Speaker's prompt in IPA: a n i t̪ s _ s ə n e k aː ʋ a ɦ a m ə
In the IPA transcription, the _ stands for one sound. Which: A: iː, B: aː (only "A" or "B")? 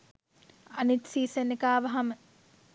A